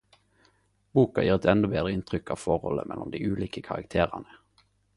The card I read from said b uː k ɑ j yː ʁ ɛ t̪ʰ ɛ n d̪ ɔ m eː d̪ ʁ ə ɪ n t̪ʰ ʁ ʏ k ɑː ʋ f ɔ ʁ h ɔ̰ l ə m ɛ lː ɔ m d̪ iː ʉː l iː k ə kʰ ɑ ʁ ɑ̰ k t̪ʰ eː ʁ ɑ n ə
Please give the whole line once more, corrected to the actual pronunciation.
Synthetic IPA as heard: b uː k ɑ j iː ʁ ɛ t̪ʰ ɛ n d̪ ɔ b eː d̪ ʁ ə ɪ n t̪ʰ ʁ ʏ k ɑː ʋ f ɔ ʁ h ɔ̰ l ə m ɛ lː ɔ m d̪ iː ʉː l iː k ə kʰ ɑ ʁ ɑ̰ k t̪ʰ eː ʁ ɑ n ə